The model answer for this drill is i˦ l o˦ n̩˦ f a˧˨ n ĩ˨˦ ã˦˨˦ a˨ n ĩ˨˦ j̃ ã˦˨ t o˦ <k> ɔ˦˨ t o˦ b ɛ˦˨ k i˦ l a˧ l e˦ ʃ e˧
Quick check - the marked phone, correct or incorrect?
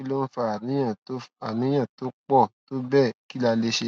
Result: incorrect